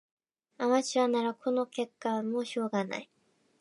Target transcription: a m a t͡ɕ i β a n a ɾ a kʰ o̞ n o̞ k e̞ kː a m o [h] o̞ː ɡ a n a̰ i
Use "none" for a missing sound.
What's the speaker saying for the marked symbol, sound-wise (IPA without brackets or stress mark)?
ɕ